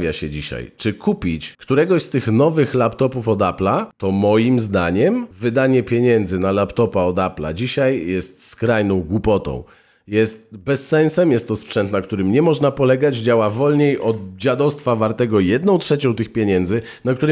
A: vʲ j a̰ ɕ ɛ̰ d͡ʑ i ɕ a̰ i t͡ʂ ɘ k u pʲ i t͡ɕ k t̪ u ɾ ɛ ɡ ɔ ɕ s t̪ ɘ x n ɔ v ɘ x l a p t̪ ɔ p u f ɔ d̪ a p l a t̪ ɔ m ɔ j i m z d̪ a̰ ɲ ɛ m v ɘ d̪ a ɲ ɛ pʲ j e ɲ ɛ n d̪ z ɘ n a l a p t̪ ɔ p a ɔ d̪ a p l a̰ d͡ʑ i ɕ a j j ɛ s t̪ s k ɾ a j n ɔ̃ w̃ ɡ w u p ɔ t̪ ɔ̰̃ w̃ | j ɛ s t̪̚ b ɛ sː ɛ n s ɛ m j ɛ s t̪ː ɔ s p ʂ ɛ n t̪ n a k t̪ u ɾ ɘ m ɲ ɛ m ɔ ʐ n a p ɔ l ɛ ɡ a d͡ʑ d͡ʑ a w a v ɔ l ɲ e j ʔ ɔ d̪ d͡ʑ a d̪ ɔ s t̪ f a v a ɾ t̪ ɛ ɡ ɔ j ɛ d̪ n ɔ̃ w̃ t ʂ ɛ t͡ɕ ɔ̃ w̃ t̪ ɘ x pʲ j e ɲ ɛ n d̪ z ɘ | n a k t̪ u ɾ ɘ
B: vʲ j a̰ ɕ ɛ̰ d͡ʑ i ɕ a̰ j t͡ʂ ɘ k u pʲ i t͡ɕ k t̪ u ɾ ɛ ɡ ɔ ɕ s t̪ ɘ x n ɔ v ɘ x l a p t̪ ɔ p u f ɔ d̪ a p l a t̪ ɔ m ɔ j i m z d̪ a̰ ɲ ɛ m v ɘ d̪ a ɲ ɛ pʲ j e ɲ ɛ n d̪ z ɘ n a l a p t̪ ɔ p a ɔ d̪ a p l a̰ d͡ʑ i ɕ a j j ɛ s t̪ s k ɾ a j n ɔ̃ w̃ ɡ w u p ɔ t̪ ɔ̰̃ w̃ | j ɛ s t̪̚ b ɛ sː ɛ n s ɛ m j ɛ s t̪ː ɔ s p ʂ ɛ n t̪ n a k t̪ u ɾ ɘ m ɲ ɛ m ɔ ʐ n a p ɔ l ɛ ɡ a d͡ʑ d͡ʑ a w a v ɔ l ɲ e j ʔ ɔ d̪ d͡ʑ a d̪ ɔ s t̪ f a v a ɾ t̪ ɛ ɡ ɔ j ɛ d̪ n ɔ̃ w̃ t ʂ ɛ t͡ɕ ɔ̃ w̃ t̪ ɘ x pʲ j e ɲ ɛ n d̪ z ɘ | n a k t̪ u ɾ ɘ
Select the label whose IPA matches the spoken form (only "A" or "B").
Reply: B